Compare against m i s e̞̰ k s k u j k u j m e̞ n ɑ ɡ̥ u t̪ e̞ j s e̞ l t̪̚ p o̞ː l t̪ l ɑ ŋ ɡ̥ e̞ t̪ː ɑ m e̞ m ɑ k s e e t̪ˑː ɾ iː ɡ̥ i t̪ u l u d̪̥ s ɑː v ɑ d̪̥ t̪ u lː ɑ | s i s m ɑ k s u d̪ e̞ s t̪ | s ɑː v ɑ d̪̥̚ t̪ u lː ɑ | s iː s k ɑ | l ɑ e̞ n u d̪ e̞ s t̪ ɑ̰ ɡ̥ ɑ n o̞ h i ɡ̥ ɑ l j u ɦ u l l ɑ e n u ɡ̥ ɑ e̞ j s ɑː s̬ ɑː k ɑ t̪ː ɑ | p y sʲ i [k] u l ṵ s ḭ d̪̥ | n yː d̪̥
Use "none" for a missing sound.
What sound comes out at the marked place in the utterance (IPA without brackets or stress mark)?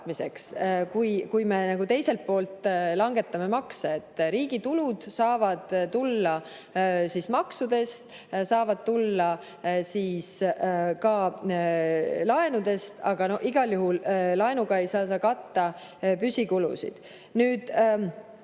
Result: k